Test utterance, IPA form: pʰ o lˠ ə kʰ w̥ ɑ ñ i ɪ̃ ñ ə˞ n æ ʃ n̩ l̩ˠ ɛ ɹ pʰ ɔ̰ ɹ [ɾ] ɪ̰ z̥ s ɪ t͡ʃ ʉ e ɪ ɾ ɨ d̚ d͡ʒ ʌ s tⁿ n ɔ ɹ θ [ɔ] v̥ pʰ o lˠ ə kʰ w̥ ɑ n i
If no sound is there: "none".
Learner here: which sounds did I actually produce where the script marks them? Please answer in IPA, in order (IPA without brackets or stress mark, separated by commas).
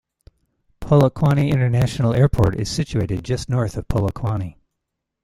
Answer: ɾ, ʌ